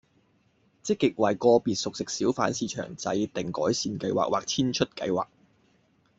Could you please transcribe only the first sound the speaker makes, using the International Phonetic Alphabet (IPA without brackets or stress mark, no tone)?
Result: t͡s